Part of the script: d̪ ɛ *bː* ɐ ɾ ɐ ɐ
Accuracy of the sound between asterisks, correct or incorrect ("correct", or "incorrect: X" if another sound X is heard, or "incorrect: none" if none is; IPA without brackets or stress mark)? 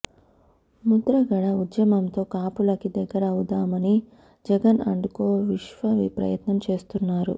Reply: incorrect: ɡː